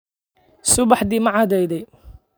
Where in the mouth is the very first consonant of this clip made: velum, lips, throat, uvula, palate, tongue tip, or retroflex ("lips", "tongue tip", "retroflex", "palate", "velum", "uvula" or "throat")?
tongue tip